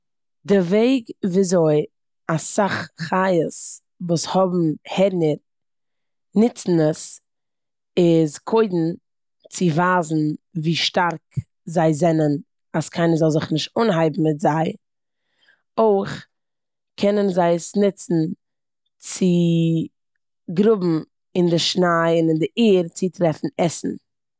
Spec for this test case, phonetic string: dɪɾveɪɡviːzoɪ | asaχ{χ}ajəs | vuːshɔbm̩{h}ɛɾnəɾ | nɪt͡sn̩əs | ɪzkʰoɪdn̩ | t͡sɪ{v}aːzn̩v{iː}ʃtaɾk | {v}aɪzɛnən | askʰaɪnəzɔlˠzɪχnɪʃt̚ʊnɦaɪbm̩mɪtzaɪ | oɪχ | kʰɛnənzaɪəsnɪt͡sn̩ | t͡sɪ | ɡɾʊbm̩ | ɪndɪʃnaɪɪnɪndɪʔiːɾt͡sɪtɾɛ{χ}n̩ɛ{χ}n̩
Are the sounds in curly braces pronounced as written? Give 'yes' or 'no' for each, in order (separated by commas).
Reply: yes, yes, yes, yes, no, no, no